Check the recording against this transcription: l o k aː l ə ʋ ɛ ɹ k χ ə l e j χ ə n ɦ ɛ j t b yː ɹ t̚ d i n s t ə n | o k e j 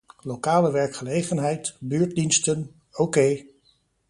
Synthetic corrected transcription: l o k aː l ə ʋ ɛ ɹ k χ ə l e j χ ə n ɦ ɛ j t b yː ɹ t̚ d i n s t ə n | o k e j